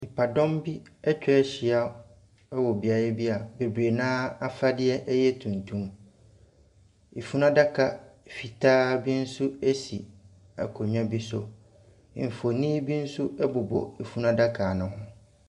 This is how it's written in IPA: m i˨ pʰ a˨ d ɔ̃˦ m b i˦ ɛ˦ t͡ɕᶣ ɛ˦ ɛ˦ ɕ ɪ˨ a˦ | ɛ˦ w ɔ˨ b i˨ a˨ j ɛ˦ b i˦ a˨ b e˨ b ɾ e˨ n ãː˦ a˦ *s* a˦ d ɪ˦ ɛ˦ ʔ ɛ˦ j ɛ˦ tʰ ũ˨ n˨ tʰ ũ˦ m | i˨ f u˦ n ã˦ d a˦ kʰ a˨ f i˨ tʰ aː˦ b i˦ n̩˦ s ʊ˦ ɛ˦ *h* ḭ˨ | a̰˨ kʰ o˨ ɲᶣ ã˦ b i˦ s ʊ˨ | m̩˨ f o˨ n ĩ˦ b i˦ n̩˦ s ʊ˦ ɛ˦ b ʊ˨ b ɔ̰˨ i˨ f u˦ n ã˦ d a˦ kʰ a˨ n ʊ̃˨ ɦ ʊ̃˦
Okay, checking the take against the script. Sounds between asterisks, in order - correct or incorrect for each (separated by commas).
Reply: incorrect, incorrect